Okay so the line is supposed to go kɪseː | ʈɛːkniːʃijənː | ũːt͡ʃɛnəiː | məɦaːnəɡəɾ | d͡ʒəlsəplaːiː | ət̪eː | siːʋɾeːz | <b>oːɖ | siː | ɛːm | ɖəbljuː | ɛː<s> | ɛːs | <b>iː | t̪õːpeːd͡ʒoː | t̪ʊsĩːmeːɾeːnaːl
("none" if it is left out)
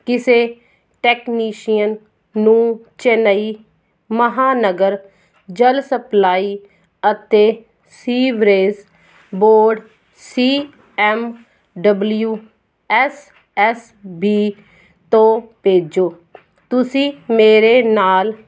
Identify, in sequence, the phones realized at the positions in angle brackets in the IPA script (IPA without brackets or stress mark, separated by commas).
b, s, b